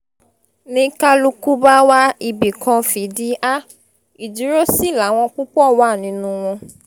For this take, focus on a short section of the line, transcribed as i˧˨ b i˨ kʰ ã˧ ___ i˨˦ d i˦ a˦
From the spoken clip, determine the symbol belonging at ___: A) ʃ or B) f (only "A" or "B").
B